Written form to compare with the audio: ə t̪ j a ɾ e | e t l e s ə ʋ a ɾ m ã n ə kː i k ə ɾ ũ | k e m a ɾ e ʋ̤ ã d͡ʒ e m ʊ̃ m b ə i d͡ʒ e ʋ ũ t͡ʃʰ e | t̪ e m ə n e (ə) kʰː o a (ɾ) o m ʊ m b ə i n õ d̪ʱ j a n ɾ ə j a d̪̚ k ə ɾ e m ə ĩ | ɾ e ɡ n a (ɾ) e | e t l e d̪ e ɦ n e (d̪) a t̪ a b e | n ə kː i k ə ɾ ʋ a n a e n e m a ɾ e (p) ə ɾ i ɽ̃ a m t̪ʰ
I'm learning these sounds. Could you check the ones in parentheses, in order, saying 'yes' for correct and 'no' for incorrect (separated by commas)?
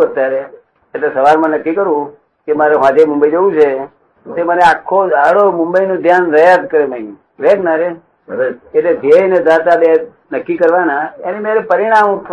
no, no, yes, yes, yes